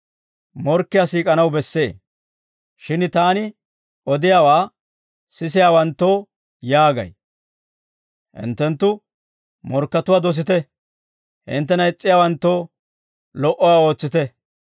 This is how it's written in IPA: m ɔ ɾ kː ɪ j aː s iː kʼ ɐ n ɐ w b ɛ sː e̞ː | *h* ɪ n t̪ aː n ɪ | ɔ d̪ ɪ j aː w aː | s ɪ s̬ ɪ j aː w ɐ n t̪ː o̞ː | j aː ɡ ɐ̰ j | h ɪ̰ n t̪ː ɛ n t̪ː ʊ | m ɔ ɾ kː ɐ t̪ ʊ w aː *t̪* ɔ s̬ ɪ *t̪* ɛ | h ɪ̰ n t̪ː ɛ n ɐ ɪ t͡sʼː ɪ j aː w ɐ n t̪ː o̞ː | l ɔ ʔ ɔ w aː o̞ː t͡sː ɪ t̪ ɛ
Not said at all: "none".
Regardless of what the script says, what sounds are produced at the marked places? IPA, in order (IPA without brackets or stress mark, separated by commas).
ʃ, d̪, t̪